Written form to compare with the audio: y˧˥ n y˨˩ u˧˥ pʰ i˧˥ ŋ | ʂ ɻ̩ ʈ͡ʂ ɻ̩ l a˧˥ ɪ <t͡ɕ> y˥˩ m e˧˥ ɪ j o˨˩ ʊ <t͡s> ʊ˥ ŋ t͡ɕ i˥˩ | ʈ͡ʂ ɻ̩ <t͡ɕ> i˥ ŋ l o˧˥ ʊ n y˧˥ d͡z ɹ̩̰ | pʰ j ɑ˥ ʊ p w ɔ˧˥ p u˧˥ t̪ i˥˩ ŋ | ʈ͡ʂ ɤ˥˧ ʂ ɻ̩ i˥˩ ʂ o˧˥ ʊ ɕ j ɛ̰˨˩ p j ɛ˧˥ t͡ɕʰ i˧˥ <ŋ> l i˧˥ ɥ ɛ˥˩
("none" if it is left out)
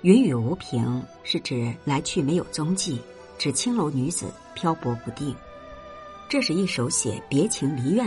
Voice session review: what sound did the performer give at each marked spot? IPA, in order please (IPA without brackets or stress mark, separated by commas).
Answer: t͡ɕʰ, t͡s, t͡ɕʰ, ŋ